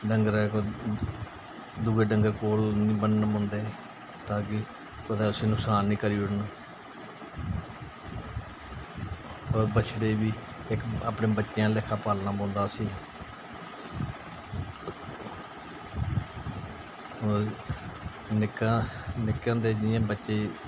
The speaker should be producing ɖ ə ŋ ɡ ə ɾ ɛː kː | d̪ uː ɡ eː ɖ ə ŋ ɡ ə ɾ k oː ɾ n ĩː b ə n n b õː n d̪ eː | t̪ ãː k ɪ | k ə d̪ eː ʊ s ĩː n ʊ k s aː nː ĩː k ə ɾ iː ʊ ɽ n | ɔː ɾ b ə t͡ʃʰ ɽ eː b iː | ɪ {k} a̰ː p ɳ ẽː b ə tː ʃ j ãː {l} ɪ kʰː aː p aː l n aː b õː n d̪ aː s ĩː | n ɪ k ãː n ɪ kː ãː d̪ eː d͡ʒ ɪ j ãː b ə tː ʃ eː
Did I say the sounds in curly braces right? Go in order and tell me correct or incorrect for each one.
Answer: correct, correct

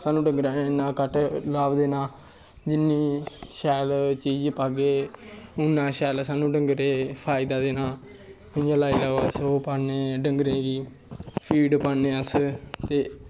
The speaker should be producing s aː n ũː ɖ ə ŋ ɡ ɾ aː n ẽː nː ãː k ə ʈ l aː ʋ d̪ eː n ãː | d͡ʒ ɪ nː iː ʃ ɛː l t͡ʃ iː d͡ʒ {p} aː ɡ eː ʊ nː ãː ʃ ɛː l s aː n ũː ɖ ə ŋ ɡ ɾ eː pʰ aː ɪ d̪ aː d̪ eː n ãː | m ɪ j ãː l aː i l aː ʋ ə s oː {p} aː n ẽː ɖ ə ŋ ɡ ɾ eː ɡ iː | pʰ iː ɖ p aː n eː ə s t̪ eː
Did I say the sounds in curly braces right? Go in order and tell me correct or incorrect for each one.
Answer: correct, correct

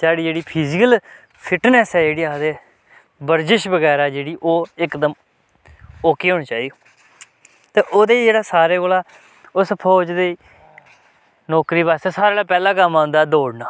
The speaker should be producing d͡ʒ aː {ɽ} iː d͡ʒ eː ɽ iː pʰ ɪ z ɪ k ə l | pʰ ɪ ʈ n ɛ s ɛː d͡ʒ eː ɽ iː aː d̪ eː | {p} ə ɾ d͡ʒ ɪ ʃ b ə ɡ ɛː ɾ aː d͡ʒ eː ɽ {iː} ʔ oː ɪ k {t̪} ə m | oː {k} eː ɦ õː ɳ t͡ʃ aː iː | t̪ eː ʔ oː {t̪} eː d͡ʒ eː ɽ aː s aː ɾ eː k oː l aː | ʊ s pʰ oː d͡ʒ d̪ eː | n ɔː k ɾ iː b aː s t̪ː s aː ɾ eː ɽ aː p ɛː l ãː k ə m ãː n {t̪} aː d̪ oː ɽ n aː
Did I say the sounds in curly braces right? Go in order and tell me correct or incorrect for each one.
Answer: correct, incorrect: b, correct, incorrect: d̪, correct, incorrect: d̪, incorrect: d̪

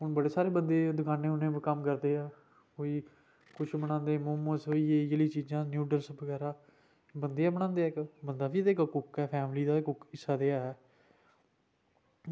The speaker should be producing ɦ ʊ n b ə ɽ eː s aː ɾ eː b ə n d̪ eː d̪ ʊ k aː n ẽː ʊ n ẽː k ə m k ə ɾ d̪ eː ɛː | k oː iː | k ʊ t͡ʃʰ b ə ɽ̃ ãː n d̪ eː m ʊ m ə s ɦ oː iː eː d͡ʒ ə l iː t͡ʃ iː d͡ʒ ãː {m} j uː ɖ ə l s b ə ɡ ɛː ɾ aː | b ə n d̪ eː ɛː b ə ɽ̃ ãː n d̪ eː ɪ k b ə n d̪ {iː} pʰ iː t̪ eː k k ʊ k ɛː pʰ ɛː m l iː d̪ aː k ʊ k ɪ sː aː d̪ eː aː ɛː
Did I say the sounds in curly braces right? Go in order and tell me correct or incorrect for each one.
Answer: incorrect: n, incorrect: aː

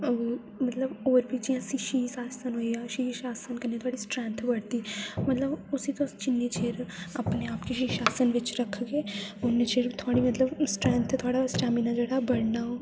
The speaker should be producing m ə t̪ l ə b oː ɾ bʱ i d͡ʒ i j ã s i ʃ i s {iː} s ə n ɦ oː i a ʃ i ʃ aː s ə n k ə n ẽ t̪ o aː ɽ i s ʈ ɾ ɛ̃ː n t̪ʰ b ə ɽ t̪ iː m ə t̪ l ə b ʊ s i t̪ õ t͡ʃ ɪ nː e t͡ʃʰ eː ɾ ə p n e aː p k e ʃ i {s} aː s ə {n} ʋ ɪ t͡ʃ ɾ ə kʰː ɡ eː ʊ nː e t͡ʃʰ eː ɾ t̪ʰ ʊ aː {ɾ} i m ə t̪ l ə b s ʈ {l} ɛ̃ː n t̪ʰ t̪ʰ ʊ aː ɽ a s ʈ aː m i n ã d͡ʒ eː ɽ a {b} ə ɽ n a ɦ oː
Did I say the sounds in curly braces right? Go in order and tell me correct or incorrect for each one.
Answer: incorrect: aː, incorrect: ʃ, correct, incorrect: ɽ, incorrect: ɾ, correct

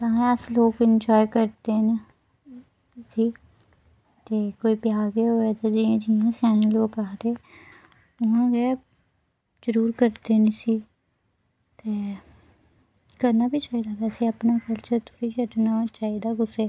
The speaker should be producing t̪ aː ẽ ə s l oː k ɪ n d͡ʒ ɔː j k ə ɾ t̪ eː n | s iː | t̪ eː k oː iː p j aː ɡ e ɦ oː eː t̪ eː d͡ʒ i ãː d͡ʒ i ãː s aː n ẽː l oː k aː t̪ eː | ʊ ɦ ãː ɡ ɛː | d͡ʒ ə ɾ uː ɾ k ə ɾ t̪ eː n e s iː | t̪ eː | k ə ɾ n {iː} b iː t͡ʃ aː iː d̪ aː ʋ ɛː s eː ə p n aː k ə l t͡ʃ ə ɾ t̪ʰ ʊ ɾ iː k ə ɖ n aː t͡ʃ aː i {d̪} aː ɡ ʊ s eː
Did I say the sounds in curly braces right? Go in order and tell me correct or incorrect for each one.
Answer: incorrect: aː, correct

